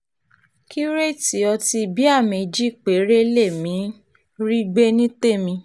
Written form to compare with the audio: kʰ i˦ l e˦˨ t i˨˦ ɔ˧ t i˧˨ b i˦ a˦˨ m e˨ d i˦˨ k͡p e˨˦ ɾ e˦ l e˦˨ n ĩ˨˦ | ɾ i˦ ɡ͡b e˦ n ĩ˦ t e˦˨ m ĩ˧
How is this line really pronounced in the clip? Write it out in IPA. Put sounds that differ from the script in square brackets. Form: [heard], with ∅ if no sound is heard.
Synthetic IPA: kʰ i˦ [ɾ] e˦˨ t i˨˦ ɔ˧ t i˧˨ b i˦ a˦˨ m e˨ [d͡ʒ] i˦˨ k͡p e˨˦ ɾ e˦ l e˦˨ [m] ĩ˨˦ | ɾ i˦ ɡ͡b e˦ n ĩ˦ t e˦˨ m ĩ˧